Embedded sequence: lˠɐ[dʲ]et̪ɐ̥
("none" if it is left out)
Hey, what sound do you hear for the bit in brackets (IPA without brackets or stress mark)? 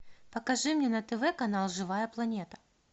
nʲ